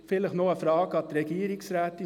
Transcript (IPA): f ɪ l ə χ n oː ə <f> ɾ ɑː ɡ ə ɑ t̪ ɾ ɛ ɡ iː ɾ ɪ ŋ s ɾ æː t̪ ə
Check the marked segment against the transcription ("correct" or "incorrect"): correct